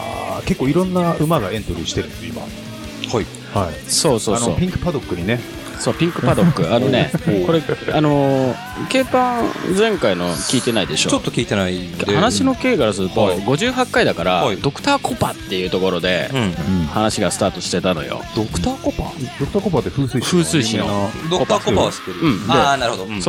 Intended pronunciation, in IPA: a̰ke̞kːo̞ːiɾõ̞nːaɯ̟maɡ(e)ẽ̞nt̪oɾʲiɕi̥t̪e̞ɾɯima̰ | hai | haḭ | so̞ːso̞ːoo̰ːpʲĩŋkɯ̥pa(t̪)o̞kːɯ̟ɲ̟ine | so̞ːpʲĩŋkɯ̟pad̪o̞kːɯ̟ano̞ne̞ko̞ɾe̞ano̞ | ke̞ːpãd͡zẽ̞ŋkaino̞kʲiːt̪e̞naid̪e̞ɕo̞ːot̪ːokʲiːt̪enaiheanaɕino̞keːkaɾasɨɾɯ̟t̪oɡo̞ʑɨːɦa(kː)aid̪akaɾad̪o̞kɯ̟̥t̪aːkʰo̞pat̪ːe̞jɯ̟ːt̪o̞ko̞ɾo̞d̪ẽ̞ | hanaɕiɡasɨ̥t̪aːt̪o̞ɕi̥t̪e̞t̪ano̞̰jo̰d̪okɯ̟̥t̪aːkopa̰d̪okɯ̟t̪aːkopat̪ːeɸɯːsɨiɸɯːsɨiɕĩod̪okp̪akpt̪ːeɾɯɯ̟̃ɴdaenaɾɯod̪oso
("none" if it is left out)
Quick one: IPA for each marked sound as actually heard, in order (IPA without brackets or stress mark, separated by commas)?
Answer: a, d̪, kː